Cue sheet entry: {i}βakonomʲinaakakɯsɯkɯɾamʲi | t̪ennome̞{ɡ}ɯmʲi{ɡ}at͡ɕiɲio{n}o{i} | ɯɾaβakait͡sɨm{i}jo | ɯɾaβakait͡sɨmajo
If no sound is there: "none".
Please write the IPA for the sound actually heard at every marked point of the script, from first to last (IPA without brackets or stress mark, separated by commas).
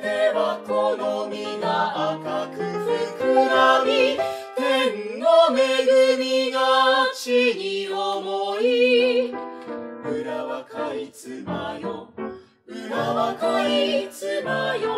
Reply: e, ɡ, ɡ, m, i, a